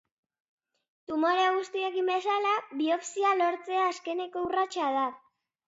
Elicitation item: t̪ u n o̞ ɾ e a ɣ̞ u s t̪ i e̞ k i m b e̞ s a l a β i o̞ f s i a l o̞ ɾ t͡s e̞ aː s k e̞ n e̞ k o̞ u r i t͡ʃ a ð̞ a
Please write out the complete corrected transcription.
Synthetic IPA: t̪ u m o̞ ɾ e a ɣ̞ u s t̪ i e̞ k i m b e̞ s a l a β i o̞ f s i a l o̞ ɾ t͡s e̞ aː s k e̞ n e̞ k o̞ u r a t͡ʃ a ð̞ a